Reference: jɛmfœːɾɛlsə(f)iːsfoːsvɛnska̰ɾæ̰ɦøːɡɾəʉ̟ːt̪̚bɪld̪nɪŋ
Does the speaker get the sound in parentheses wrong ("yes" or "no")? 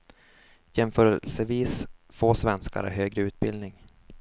yes